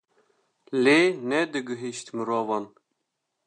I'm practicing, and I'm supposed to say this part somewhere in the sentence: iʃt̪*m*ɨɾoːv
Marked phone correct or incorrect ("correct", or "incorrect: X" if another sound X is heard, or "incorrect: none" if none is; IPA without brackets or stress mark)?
correct